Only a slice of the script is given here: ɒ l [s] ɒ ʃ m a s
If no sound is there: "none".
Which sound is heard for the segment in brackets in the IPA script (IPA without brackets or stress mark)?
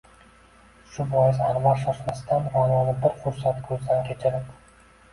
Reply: ʃ